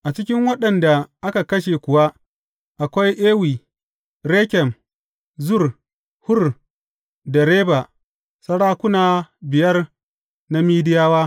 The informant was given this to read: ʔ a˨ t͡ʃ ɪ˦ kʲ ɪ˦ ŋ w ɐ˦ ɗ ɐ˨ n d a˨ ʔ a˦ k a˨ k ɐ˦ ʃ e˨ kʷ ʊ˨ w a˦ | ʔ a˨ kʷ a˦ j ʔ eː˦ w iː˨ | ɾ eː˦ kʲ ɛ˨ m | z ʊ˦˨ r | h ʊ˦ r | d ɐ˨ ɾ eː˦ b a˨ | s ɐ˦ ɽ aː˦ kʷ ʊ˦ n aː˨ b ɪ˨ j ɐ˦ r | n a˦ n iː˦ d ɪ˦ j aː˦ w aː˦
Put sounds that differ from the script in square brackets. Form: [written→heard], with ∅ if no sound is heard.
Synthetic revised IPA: ʔ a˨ t͡ʃ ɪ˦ kʲ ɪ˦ ŋ w ɐ˦ ɗ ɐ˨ n d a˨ ʔ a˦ k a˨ k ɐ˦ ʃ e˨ kʷ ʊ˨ w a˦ | ʔ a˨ kʷ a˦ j ʔ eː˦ w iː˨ | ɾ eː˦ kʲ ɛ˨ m | z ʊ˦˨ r | h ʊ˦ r | d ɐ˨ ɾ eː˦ b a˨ | s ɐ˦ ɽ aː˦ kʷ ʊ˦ n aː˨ b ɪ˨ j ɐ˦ r | n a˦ [n→m] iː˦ d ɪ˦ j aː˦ w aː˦